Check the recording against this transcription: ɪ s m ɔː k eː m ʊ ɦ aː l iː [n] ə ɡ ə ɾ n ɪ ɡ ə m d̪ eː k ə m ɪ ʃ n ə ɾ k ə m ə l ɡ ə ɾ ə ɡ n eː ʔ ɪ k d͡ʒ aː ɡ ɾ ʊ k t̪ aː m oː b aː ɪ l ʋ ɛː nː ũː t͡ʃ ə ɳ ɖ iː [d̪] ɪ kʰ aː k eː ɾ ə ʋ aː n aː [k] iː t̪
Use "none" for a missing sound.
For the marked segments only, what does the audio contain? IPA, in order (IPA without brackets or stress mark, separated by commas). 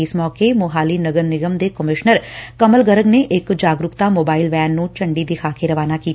n, d̪, k